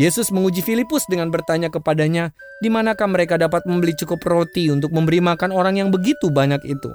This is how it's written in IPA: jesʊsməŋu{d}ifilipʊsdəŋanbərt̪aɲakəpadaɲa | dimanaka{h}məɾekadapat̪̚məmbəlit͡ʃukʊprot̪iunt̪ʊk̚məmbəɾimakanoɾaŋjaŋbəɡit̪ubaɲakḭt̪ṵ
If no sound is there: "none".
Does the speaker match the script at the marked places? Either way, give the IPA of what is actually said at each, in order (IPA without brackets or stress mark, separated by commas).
d͡ʒ, h